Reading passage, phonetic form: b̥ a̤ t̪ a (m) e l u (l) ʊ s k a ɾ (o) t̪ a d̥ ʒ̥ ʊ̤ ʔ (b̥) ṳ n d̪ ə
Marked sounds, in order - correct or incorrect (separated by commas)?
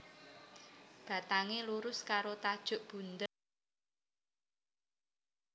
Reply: incorrect, incorrect, correct, correct